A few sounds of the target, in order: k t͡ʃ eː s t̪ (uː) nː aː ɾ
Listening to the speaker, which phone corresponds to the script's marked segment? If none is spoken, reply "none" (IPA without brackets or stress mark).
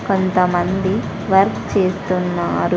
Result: u